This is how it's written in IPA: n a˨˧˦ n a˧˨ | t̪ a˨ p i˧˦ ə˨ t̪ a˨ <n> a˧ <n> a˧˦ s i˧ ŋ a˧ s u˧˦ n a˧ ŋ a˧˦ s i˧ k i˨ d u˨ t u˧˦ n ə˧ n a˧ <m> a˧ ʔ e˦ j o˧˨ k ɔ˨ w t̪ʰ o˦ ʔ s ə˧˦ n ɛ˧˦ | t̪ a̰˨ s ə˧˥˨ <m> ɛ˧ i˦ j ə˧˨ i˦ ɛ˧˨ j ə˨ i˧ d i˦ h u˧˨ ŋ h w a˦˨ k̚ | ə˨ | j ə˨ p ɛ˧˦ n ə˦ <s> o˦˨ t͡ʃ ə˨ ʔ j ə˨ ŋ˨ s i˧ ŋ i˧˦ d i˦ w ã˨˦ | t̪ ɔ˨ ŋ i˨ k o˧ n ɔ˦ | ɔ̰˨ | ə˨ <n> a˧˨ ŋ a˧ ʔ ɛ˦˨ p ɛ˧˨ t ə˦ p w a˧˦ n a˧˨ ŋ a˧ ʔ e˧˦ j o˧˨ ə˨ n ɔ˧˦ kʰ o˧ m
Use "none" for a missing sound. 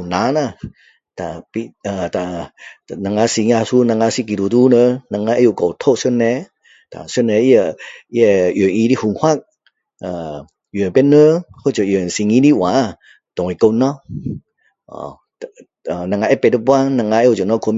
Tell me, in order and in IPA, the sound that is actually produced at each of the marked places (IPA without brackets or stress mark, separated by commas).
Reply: n, ŋ, ŋ, n, h, n